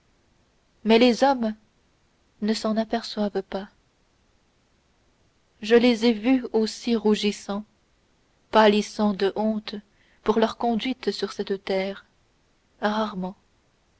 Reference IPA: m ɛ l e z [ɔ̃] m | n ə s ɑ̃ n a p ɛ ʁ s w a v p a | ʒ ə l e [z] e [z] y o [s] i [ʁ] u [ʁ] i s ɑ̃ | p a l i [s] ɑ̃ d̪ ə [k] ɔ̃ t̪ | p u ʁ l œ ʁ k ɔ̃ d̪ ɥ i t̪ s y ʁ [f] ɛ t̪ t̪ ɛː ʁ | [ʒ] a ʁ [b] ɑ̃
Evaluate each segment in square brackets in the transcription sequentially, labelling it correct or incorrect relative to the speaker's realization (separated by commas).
incorrect, correct, incorrect, correct, correct, incorrect, correct, incorrect, incorrect, incorrect, incorrect